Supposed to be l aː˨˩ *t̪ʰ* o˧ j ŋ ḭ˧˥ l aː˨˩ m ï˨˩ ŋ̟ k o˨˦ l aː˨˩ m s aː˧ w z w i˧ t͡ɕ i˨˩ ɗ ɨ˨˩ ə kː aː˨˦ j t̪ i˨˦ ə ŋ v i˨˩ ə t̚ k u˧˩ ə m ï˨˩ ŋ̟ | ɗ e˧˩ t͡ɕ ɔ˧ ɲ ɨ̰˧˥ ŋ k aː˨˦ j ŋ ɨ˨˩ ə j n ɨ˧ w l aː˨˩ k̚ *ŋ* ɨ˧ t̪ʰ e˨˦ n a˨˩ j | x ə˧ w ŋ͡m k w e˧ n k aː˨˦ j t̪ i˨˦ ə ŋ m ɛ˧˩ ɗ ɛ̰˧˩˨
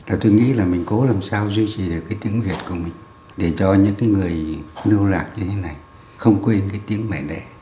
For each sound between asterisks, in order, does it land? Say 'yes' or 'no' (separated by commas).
no, no